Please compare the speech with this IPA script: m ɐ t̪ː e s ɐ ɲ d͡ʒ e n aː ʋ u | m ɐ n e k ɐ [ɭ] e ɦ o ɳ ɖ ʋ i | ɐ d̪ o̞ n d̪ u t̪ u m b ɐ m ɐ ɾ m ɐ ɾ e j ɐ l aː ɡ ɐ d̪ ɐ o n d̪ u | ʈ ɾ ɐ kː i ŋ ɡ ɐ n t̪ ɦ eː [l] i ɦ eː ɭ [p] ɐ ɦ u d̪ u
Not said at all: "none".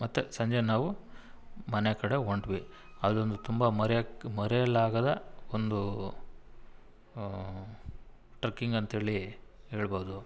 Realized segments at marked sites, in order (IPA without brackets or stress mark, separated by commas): ɽ, ɭ, b